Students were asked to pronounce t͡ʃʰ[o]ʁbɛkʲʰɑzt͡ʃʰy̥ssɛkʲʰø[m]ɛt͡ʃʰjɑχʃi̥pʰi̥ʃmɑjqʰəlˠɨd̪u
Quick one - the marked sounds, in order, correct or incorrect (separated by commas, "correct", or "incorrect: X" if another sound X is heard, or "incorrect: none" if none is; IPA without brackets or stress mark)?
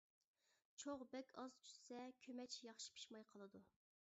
correct, correct